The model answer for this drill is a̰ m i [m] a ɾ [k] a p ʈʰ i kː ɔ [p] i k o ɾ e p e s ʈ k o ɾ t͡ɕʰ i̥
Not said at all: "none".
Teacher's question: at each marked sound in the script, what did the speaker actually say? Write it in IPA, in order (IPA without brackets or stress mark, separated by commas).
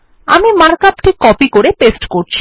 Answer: m, k, p